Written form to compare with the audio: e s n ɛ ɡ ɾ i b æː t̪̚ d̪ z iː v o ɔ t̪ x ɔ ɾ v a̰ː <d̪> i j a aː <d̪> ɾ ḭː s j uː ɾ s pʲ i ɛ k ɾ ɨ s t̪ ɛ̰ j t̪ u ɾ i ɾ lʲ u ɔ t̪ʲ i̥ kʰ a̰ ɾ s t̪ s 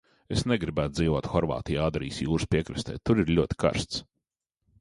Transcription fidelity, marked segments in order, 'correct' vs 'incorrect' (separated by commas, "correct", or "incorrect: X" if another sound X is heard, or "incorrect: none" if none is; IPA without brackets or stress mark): incorrect: t̪, correct